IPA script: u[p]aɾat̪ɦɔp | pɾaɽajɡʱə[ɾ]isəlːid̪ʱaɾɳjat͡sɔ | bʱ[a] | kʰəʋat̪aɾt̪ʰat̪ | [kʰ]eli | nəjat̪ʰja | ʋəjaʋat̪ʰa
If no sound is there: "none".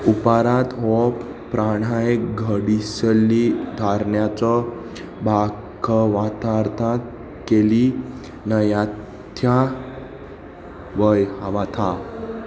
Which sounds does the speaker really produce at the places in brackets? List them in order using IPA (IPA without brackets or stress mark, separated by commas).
p, ɽ, a, k